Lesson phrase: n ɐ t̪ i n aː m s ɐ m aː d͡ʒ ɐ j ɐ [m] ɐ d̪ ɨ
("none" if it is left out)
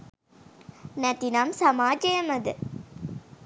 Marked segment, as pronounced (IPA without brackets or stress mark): m